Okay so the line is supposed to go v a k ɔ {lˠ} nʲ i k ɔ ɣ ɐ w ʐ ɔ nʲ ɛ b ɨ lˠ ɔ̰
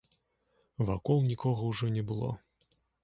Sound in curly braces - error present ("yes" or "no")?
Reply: no